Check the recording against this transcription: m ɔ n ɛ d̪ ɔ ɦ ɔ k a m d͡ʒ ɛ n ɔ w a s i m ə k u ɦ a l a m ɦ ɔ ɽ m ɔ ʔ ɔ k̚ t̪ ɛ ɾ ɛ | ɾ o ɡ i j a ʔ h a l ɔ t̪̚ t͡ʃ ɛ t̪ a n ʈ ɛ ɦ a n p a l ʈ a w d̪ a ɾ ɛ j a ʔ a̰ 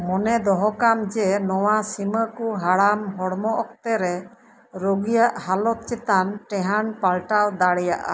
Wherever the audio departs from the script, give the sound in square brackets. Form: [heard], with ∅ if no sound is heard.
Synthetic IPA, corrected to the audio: m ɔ n ɛ d̪ ɔ ɦ ɔ k a m d͡ʒ ɛ n ɔ w a s i m ə k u ɦ a [ɽ] a m ɦ ɔ ɽ m ɔ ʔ ɔ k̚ t̪ ɛ ɾ ɛ | ɾ o ɡ i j a ʔ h a l ɔ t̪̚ t͡ʃ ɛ t̪ a n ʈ ɛ ɦ a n p a l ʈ a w d̪ a [ɽ] ɛ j a ʔ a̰